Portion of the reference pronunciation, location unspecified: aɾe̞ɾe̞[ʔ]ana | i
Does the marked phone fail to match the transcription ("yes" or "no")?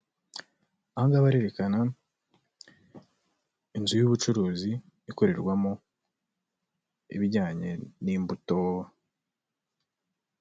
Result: yes